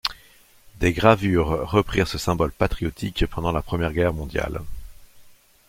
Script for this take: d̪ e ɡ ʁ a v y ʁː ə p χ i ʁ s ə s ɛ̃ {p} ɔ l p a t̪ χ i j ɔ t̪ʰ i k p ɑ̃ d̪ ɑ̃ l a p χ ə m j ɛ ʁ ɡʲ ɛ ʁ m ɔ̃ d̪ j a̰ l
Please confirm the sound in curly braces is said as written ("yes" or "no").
no